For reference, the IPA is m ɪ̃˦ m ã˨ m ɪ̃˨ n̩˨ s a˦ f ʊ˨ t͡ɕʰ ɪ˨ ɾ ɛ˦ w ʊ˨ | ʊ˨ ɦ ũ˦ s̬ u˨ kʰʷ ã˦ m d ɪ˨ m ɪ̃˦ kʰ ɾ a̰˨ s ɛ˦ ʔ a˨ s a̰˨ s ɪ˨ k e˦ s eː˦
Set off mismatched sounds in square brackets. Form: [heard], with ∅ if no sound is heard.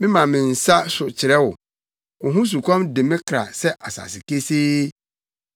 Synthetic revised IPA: m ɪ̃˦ m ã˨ m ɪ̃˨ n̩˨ s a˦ [s] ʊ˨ t͡ɕʰ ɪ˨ ɾ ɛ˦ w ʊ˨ | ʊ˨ ɦ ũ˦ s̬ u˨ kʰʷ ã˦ m d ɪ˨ m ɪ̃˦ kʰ ɾ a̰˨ s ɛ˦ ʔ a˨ s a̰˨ s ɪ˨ k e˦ s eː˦

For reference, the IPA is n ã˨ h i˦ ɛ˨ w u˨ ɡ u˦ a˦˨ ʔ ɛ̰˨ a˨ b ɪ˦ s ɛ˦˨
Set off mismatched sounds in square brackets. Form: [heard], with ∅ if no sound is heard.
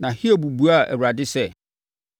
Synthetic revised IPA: n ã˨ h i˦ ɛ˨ [b] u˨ [b] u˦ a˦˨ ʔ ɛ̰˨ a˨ [d] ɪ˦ s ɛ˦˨

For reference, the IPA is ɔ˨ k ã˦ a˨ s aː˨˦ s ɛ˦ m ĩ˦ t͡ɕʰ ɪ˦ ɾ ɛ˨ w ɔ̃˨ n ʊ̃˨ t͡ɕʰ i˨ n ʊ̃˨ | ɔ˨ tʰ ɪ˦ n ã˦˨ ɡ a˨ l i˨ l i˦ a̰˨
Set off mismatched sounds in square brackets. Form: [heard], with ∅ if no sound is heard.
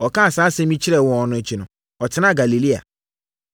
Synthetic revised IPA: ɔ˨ k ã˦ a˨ s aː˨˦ s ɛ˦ m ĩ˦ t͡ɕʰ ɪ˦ ɾ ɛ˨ w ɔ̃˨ n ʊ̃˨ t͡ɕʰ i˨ n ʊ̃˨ | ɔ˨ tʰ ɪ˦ n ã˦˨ ɡ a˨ l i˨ l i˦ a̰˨

